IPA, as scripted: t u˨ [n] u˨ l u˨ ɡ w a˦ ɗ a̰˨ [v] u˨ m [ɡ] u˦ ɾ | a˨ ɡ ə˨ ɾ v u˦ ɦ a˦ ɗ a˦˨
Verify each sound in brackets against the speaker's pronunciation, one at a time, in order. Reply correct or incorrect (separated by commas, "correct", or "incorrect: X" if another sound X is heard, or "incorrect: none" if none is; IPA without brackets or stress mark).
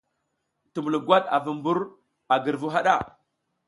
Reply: incorrect: m, correct, incorrect: b